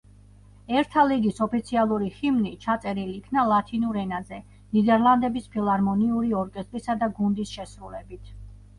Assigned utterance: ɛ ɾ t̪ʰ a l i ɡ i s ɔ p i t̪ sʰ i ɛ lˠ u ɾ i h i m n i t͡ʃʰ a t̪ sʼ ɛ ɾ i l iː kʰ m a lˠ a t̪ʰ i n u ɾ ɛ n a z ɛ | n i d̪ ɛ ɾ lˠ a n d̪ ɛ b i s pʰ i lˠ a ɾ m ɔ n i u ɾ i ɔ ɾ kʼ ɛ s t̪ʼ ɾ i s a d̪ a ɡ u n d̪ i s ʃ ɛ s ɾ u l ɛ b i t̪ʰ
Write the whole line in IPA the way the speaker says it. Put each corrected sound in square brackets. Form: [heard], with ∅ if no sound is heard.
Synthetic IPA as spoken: ɛ ɾ t̪ʰ a l i ɡ i s ɔ p i t̪ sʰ i [a] lˠ u ɾ i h i m n i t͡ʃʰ a t̪ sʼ ɛ ɾ i l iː kʰ [n] a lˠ a t̪ʰ i n u ɾ ɛ n a z ɛ | n i d̪ ɛ ɾ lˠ a n d̪ ɛ b i s pʰ i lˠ a ɾ m ɔ n i u ɾ i ɔ ɾ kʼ ɛ s t̪ʼ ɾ i s a d̪ a ɡ u n d̪ i s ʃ ɛ s ɾ u l ɛ b i t̪ʰ